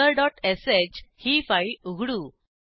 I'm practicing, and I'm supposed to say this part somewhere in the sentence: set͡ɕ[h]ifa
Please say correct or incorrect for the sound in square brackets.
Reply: correct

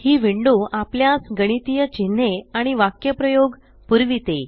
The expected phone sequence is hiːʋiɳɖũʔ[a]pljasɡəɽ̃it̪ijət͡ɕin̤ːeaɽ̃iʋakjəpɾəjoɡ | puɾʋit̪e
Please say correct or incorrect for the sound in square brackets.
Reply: correct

